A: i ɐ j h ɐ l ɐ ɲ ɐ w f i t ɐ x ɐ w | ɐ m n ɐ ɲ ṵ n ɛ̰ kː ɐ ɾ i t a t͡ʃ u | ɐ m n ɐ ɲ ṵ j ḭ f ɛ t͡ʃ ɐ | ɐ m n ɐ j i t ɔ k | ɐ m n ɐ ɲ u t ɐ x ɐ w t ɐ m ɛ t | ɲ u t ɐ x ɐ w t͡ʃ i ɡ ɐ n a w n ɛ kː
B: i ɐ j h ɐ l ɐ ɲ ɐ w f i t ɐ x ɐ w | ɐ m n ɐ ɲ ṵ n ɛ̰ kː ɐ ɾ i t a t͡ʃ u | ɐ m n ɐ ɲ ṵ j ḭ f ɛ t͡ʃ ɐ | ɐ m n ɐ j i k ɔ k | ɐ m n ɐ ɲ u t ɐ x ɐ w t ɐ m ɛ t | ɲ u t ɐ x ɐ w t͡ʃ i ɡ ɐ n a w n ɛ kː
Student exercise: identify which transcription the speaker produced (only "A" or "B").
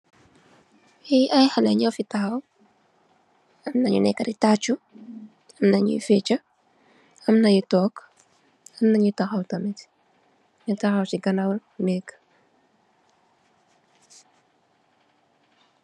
A